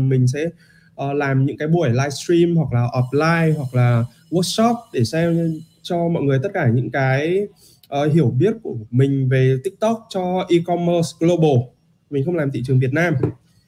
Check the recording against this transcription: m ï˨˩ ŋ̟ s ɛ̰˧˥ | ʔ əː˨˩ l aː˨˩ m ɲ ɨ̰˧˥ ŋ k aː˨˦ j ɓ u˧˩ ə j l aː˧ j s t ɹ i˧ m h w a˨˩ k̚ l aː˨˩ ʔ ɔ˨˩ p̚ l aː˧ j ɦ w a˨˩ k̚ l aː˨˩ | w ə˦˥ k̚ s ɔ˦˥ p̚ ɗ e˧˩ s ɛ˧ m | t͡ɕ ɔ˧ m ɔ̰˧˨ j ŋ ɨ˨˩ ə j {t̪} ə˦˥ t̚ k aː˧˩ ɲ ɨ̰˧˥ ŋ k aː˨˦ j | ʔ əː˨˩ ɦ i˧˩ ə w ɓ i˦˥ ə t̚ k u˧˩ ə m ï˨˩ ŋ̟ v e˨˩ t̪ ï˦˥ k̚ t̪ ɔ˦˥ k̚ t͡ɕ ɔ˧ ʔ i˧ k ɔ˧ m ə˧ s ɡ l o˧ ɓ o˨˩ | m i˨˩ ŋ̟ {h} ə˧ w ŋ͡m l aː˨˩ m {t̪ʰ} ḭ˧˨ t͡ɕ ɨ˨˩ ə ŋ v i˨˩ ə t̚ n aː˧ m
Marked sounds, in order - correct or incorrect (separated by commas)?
correct, incorrect, incorrect